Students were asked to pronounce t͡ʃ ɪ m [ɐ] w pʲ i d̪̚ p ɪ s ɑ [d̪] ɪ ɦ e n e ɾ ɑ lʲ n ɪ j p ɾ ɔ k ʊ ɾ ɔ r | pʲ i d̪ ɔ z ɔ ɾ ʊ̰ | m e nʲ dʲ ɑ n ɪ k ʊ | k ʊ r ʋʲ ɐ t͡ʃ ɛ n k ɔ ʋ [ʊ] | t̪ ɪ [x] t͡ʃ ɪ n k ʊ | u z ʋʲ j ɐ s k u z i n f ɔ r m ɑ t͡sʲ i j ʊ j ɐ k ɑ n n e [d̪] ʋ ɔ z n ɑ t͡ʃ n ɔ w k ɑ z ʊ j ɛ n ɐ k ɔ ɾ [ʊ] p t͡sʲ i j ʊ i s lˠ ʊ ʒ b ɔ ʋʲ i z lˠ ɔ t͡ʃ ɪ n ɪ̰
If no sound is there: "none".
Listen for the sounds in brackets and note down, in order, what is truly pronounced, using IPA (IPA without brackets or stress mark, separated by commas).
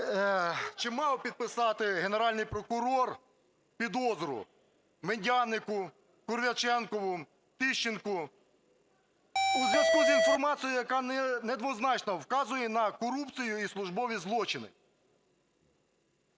ɑ, t̪, ʊ, ʃ, d̪, u